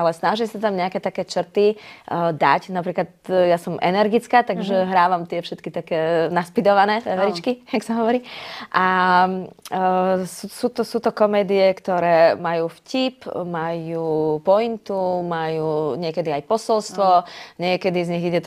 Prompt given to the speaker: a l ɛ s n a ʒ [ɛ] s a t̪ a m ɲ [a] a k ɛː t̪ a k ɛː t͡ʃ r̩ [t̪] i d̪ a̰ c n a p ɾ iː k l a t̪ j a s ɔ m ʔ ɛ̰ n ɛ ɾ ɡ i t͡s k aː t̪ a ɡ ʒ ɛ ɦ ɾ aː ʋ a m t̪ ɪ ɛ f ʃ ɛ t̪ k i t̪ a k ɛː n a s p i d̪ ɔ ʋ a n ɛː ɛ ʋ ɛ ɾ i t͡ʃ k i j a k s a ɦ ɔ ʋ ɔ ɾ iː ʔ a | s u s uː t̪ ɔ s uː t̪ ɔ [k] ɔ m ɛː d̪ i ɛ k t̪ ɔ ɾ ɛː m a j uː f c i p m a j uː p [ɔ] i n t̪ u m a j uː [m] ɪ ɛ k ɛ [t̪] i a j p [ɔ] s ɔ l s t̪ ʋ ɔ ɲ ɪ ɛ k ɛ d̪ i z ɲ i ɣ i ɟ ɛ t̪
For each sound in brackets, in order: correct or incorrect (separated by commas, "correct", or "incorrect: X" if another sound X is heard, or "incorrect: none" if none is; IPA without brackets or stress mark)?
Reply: incorrect: i, incorrect: ɛ, correct, correct, correct, incorrect: ɲ, incorrect: d̪, correct